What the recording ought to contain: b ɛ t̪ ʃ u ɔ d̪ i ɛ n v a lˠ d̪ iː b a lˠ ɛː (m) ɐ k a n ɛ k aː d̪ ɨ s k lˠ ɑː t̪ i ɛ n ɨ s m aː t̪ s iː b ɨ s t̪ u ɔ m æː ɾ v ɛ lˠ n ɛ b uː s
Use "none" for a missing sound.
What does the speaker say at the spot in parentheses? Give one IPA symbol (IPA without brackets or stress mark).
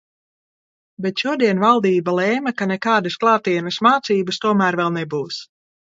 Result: m